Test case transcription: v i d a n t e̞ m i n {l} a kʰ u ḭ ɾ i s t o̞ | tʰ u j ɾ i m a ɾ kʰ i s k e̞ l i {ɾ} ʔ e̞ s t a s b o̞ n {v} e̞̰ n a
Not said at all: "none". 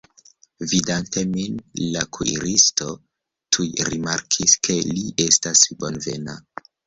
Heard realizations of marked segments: l, none, v

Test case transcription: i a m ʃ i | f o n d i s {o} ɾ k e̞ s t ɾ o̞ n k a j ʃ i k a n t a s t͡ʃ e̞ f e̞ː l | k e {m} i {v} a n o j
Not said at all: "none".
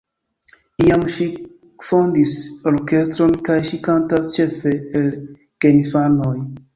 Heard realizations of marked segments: o, n, f

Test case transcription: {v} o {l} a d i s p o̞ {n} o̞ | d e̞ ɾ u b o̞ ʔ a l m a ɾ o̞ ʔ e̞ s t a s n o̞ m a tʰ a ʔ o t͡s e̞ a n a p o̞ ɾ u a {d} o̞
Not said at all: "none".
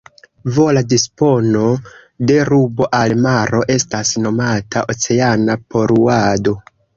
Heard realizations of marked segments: v, l, n, d

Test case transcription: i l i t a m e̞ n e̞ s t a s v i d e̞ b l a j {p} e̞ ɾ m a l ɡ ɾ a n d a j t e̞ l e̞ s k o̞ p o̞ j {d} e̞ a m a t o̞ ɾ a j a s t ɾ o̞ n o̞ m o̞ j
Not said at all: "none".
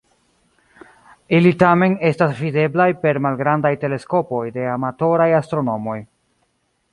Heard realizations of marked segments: p, d

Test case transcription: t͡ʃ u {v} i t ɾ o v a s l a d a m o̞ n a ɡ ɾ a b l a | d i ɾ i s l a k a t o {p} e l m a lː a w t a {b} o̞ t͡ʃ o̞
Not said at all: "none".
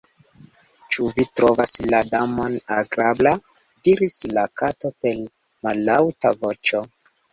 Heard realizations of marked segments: v, p, v

